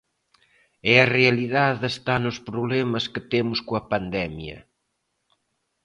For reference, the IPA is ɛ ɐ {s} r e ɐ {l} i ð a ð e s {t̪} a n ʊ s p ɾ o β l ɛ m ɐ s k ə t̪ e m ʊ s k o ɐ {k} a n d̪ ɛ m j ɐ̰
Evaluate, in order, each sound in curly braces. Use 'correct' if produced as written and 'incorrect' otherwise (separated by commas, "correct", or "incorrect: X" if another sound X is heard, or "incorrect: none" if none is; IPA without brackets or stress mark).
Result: incorrect: none, correct, correct, incorrect: p